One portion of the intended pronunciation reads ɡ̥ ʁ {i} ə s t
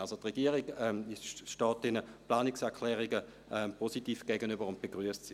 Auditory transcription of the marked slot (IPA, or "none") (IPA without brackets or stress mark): y